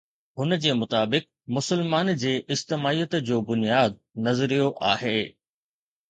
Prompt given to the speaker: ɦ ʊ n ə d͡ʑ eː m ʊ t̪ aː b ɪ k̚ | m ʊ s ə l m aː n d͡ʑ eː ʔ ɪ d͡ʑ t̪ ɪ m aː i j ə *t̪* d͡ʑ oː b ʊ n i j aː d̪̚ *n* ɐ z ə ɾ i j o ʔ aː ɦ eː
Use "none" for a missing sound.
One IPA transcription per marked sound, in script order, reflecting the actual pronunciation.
t̪, n

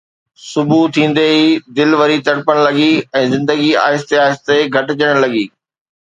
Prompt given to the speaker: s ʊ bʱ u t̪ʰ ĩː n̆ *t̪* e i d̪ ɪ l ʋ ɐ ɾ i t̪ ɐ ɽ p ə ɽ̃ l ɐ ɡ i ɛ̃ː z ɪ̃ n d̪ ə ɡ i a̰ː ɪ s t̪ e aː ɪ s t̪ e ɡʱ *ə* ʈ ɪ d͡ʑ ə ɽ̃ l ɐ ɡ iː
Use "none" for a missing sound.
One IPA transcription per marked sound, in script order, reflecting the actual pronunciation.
d̪, ɐ

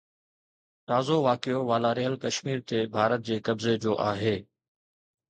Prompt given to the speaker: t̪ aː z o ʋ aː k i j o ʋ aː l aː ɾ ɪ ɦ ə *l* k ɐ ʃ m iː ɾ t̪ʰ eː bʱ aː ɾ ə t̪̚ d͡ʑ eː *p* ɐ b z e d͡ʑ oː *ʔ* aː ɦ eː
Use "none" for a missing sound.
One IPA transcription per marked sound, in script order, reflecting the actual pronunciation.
l, k, ʔ

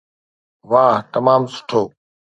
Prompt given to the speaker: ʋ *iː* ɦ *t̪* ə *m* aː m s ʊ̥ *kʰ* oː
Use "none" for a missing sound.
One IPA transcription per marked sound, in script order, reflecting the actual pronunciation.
aː, t̪, m, ʈʰ

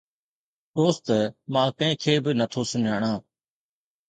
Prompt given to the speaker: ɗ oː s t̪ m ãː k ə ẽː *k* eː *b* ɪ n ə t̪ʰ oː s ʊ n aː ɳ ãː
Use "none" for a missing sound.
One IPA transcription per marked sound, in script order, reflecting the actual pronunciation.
kʰ, b

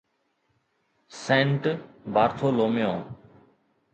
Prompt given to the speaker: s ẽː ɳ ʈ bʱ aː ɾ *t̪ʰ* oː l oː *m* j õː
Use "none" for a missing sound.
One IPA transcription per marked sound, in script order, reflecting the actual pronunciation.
t̪ʰ, m

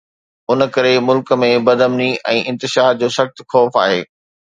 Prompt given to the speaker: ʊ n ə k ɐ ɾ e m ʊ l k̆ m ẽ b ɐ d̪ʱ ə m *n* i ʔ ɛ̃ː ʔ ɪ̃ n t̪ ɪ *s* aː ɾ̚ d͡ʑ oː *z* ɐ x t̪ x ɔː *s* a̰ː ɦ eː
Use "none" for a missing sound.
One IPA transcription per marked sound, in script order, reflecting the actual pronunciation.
n, ʃ, s, f

